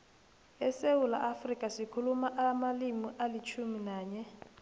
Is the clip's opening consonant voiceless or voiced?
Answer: voiceless